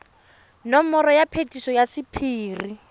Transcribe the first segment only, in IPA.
n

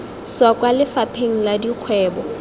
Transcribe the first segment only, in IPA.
s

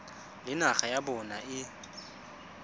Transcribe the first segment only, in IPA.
l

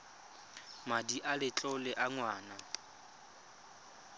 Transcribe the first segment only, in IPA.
m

